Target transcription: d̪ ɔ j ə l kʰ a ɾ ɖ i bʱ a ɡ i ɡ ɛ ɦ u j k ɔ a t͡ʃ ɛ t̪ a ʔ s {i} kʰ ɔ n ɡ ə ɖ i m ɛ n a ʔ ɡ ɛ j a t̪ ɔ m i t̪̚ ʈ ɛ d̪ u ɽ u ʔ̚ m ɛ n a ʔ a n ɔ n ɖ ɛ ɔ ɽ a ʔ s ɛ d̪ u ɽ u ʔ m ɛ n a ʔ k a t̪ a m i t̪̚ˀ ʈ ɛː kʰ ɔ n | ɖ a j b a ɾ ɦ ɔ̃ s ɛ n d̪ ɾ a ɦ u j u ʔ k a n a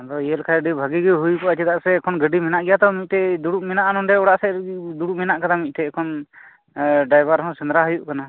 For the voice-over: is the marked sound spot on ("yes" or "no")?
no